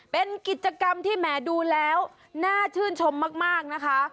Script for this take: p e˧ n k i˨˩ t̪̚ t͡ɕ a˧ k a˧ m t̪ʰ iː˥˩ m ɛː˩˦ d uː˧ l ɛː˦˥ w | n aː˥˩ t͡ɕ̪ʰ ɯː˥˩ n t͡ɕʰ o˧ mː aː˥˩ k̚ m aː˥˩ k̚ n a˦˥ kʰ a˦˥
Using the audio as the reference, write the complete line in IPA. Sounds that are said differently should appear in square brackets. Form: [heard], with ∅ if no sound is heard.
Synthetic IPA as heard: p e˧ n k i˨˩ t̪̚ t͡ɕ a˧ k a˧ m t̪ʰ iː˥˩ m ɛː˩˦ d uː˧ l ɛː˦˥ w | n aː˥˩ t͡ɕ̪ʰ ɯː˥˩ n t͡ɕʰ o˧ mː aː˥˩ k̚ m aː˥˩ k̚ n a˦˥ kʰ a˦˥